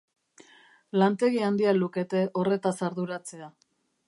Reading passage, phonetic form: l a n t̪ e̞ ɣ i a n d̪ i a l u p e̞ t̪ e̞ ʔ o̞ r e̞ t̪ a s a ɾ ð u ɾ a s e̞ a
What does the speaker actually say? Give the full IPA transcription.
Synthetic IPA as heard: l a n t̪ e̞ ɣ i a n d̪ i a l u k e̞ t̪ e̞ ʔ o̞ r e̞ t̪ a s a ɾ ð u ɾ a t͡s e̞ a